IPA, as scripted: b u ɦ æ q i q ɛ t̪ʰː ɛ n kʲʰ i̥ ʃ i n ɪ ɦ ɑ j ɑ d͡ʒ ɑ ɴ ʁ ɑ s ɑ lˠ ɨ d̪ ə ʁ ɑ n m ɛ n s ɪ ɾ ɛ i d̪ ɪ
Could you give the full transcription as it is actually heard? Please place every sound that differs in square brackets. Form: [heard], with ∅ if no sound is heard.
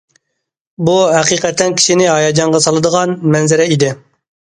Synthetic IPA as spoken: b u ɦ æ q i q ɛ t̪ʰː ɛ n kʲʰ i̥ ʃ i n ɪ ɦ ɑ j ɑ d͡ʒ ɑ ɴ ʁ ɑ s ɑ lˠ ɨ d̪ ə ʁ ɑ n m ɛ n [z] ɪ ɾ ɛ i d̪ ɪ